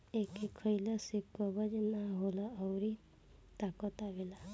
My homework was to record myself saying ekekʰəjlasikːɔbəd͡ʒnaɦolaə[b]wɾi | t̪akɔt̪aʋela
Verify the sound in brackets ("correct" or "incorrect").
incorrect